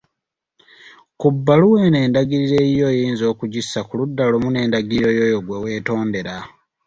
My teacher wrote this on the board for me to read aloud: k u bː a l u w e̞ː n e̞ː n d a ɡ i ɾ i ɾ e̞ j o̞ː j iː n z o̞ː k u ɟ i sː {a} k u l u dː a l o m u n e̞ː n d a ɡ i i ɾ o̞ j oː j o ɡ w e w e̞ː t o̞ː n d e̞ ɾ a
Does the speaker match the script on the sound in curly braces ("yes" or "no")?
yes